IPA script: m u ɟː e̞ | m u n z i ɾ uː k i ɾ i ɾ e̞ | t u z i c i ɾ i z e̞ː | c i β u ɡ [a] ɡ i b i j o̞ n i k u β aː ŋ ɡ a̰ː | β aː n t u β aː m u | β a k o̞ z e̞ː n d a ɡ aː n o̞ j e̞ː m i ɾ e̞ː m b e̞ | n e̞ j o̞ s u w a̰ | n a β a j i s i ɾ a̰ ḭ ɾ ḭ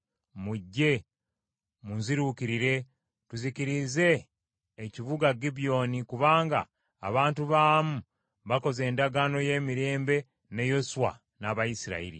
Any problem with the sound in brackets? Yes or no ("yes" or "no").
no